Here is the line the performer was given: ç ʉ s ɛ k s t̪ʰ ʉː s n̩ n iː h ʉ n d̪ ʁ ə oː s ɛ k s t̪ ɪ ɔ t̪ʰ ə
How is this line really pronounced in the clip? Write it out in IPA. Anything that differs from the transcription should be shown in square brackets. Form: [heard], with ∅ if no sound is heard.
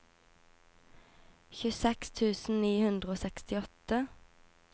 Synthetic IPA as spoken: ç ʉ s ɛ k s t̪ʰ ʉː s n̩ n iː h ʉ n d̪ ʁ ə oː s ɛ k s t̪ ɪ ɔ [t̪] ə